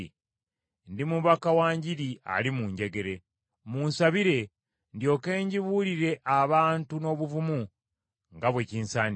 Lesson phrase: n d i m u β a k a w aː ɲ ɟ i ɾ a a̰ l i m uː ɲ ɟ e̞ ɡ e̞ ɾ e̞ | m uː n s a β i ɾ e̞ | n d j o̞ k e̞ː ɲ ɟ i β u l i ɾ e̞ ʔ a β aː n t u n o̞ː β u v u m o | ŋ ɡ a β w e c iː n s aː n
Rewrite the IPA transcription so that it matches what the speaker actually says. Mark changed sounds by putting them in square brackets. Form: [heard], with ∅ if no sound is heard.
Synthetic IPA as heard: n d i m u β a k a w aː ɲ ɟ i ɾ [i] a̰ l i m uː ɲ ɟ e̞ ɡ e̞ ɾ e̞ | m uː n s a β i ɾ e̞ | n d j o̞ k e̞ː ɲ ɟ i β u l i ɾ e̞ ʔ a β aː n t u n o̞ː β u v u m [u] | ŋ ɡ a β w e c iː n s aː n